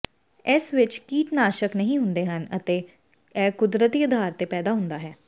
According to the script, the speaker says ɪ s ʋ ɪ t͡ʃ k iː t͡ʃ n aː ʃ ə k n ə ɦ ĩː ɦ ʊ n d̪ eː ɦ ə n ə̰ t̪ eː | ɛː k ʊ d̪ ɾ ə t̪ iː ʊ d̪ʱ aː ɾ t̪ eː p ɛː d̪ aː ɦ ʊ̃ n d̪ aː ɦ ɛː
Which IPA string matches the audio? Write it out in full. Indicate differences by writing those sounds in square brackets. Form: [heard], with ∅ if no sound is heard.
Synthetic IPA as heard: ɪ s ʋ ɪ t͡ʃ k iː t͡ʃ n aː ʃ ə k n ə ɦ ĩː ɦ ʊ n d̪ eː ɦ ə n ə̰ t̪ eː | ɛː k ʊ d̪ ɾ ə t̪ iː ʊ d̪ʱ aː ɾ t̪ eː p ɛː d̪ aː ɦ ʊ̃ n d̪ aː ɦ ɛː